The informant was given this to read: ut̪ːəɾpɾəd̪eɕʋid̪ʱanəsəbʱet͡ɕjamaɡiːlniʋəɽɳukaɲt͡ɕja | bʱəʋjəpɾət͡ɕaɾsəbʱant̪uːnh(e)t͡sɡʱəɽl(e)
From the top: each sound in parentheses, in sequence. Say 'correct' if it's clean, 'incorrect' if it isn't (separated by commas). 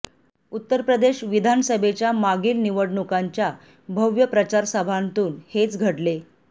correct, correct